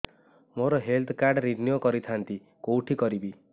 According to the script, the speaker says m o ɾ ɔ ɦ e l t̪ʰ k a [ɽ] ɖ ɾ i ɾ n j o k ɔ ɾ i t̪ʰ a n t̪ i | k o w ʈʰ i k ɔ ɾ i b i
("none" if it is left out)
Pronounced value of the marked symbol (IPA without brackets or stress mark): ɾ